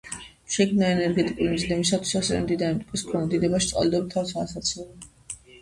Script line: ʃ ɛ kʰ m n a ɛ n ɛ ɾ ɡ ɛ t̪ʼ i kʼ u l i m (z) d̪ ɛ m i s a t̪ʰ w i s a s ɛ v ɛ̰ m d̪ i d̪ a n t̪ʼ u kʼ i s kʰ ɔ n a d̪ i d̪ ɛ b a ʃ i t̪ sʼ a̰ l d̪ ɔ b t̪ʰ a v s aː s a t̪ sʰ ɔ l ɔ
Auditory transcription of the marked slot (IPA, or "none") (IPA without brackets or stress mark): z